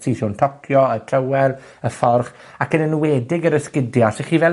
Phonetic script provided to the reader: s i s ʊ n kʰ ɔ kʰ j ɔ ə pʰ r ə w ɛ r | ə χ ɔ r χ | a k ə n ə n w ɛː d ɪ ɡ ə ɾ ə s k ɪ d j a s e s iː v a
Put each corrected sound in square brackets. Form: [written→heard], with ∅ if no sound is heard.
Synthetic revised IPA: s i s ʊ n [kʰ→tʰ] ɔ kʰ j ɔ ə [pʰ→tʰ] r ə w ɛ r | ə [χ→f] ɔ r χ | a k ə n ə n w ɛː d ɪ ɡ ə ɾ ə s k ɪ d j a s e [s→χ] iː v [a→ɛ]